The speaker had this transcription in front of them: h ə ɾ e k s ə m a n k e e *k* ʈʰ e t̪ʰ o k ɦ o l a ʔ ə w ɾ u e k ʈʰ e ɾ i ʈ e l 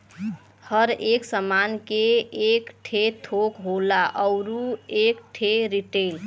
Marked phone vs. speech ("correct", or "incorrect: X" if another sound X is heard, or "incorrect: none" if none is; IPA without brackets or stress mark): correct